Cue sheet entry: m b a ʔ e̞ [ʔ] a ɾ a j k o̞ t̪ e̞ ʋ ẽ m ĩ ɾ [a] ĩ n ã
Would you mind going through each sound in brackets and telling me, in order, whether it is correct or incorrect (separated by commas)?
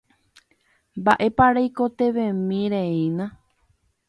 incorrect, incorrect